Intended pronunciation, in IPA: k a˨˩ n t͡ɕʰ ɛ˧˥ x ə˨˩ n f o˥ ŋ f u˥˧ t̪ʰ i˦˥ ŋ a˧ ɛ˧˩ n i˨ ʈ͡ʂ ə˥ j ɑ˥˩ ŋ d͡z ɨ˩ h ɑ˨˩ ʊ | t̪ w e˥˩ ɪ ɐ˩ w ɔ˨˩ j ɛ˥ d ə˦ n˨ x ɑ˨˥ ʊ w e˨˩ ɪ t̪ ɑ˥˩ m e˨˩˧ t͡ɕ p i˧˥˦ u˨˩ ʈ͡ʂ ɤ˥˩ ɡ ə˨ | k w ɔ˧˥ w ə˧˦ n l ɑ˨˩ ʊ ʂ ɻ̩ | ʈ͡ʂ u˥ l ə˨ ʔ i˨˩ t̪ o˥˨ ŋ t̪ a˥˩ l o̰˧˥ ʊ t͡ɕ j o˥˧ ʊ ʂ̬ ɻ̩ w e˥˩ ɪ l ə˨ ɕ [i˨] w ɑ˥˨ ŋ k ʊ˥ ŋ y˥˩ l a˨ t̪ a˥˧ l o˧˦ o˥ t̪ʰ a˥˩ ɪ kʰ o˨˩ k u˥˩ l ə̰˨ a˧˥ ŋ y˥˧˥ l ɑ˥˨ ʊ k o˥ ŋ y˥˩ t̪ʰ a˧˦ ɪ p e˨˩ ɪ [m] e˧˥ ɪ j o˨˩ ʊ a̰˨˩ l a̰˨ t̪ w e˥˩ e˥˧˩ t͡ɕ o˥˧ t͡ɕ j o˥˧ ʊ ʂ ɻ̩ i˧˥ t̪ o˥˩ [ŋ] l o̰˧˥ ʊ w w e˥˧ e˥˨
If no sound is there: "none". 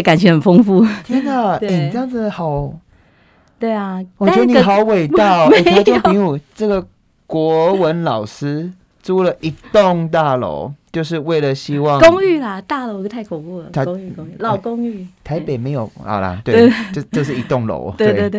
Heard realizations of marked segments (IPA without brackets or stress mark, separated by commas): i˥, m, ŋ